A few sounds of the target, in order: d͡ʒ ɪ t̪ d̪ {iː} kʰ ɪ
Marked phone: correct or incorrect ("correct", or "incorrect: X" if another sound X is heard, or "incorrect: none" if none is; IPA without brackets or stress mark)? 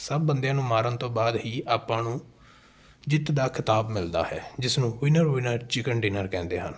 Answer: incorrect: aː